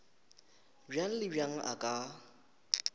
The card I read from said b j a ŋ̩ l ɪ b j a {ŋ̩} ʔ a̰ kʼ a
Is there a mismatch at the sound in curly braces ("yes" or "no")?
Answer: no